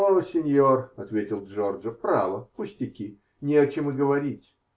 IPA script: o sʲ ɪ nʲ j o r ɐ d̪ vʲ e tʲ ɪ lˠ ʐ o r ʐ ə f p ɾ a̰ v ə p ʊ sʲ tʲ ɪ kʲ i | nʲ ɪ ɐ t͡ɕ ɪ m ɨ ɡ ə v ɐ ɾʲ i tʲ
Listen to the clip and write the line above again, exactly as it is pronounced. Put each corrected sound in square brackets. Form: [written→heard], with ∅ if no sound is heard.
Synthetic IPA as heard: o sʲ ɪ nʲ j o r ɐ [d̪→t̪] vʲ e tʲ ɪ lˠ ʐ o r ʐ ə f p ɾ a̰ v ə p ʊ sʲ tʲ ɪ kʲ i | nʲ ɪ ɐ t͡ɕ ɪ m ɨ ɡ ə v ɐ ɾʲ i tʲ

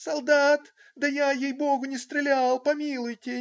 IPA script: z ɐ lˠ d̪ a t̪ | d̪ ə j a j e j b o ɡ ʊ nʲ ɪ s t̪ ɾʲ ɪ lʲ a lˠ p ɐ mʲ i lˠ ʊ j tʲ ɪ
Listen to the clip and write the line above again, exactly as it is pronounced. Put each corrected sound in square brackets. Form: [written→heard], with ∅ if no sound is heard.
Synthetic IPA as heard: [z→s] ɐ lˠ d̪ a t̪ | d̪ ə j a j e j b o ɡ ʊ nʲ ɪ s t̪ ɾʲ ɪ lʲ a lˠ p ɐ mʲ i lˠ ʊ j tʲ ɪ

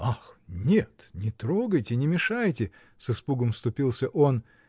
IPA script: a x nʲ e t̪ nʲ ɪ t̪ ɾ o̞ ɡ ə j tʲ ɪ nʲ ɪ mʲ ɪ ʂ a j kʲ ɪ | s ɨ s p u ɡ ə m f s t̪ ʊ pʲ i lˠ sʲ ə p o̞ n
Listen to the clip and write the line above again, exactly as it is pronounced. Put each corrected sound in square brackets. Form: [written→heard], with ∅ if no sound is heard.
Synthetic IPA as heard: a x nʲ e t̪ nʲ ɪ t̪ ɾ o̞ ɡ ə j tʲ ɪ nʲ ɪ mʲ ɪ ʂ a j [kʲ→tʲ] ɪ | s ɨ s p u ɡ ə m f s t̪ ʊ pʲ i lˠ sʲ ə [p→ʔ] o̞ n

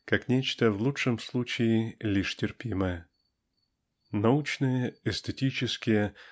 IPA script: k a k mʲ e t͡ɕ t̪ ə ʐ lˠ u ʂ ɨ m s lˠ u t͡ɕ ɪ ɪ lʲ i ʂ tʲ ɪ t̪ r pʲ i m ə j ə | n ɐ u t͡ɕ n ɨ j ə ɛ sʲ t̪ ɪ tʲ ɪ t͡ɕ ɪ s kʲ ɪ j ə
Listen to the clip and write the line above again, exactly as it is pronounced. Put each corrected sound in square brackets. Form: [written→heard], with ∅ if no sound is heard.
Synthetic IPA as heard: k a k [mʲ→nʲ] e t͡ɕ t̪ ə [ʐ→v] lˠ u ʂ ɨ m s lˠ u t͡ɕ ɪ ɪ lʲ i ʂ tʲ ɪ [t̪→∅] r pʲ i m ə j ə | n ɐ u t͡ɕ n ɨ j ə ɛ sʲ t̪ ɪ tʲ [ɪ→i] t͡ɕ ɪ s kʲ ɪ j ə

